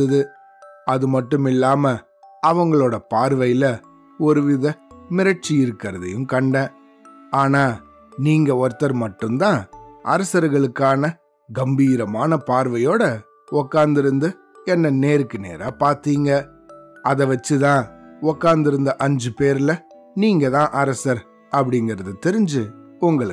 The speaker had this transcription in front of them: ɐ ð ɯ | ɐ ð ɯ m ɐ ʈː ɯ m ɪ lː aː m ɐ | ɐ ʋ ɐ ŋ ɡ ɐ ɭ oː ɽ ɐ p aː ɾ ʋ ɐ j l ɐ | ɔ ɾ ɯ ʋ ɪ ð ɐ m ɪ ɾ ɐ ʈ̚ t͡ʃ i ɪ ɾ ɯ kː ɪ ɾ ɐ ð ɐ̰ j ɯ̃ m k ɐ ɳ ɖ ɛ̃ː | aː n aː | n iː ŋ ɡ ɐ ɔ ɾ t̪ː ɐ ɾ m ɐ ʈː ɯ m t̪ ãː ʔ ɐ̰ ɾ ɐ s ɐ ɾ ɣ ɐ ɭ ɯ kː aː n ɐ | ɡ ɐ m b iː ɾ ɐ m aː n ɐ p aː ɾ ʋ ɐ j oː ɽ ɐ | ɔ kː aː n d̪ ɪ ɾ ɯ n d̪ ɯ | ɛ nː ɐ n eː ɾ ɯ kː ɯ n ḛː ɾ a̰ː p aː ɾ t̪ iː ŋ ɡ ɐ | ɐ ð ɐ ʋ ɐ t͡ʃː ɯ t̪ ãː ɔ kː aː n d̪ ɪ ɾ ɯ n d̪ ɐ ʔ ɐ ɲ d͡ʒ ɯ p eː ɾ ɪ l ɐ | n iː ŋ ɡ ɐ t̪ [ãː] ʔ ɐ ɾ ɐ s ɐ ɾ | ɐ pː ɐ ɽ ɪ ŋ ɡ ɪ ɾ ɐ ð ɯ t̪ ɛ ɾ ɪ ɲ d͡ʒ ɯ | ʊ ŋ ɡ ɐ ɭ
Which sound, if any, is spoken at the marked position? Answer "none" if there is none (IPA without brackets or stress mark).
ãː